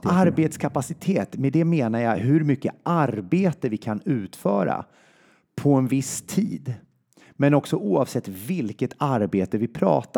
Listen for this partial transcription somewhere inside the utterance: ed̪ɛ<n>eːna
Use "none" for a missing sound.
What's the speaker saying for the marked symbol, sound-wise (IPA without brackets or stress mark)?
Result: m